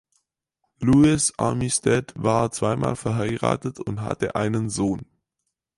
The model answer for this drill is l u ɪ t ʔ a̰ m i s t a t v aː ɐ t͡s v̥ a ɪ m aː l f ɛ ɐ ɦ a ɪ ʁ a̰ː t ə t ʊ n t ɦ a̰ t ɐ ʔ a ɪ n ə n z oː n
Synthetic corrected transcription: l u ɪ s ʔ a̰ m i s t ɛ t v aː ɐ t͡s v̥ a ɪ m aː l f ɛ ɐ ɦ a ɪ ʁ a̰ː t ə t ʊ n t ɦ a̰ t ə ʔ a ɪ n ə n z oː n